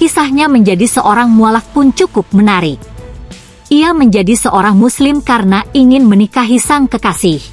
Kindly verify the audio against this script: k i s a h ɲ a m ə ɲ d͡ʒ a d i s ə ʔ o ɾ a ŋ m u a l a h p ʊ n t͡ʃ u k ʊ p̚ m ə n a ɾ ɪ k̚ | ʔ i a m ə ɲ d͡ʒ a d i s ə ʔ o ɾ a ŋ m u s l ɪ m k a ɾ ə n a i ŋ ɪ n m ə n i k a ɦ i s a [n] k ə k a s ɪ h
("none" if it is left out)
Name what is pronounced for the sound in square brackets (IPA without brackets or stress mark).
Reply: ŋ